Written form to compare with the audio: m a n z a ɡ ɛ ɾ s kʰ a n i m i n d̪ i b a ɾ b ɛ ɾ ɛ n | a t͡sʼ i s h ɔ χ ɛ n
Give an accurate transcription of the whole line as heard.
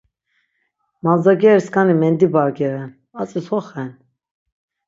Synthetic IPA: m a n z a ɡ ɛ ɾ s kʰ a n i m ɛ n d̪ i b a ɾ ɡ ɛ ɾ ɛ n | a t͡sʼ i s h ɔ χ ɛ n